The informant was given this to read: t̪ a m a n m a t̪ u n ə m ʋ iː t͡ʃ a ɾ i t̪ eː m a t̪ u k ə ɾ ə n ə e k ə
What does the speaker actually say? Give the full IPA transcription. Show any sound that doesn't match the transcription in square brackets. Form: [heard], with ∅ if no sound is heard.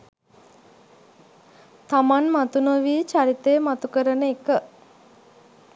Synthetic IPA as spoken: t̪ a m a n m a t̪ u n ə [∅] ʋ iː t͡ʃ a ɾ i t̪ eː m a t̪ u k ə ɾ ə n ə e k ə